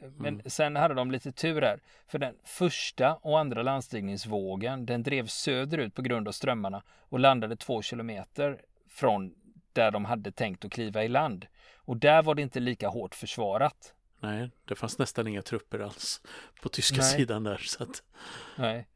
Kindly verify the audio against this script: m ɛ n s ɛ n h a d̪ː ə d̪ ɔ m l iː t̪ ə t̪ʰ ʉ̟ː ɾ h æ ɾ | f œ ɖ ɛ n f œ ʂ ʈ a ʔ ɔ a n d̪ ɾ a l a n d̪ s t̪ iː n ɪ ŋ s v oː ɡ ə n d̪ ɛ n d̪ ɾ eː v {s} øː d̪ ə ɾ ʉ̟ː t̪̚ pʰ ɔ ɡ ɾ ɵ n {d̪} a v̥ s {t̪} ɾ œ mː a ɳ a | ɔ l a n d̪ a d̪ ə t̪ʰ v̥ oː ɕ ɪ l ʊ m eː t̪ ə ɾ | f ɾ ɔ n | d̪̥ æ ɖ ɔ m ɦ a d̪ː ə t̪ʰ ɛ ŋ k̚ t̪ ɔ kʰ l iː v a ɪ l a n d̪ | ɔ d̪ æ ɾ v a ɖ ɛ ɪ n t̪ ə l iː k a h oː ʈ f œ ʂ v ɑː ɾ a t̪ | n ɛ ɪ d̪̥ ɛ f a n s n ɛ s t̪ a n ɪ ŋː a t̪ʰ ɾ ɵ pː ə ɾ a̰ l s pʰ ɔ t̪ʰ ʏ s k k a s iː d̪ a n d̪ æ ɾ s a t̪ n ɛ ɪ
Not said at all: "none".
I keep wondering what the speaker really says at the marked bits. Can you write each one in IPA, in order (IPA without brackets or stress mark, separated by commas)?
s, d̪, t̪